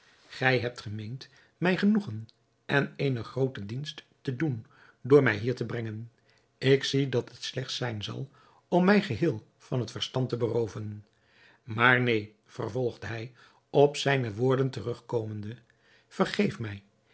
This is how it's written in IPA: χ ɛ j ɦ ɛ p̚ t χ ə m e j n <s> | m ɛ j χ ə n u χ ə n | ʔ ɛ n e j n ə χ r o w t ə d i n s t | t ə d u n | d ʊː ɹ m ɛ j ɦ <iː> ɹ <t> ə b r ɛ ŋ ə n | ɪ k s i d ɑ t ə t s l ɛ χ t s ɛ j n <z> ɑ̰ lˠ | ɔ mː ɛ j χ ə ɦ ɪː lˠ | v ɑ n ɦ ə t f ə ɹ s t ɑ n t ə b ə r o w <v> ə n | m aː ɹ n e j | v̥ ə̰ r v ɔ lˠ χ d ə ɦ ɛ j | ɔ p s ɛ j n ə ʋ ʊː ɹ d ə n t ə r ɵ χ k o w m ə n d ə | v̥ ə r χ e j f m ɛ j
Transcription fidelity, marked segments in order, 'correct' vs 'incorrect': incorrect, correct, correct, correct, correct

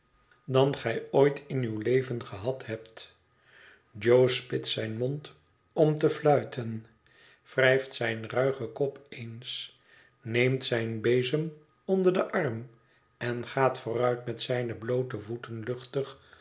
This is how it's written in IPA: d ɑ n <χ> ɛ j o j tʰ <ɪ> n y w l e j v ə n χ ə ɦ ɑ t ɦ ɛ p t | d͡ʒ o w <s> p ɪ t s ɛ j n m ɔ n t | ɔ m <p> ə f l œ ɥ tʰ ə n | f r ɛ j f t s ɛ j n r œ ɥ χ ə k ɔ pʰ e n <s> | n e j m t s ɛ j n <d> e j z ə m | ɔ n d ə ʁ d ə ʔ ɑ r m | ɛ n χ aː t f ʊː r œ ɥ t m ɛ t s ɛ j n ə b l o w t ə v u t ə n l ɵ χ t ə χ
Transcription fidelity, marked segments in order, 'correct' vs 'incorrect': correct, correct, correct, incorrect, correct, incorrect

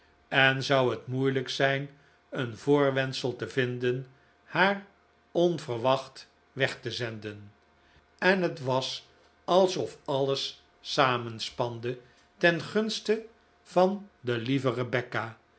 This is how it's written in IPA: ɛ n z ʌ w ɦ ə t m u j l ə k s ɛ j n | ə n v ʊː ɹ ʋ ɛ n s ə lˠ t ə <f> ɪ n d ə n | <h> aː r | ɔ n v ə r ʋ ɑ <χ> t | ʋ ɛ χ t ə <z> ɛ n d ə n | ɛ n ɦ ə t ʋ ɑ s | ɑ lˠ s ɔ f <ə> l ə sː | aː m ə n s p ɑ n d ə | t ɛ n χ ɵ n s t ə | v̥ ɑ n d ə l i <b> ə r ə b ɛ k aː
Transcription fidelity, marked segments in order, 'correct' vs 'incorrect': incorrect, correct, correct, correct, incorrect, incorrect

